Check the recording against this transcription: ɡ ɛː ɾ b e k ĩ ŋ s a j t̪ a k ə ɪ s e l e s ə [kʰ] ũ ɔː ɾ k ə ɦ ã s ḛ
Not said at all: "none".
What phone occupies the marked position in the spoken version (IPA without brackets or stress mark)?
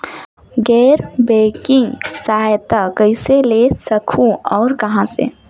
kʰ